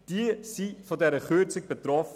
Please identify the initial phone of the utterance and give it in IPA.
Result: d̥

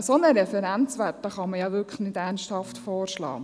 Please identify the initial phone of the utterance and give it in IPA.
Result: s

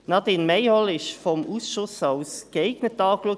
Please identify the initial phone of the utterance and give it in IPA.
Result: n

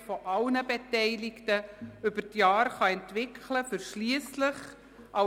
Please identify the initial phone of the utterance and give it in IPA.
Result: f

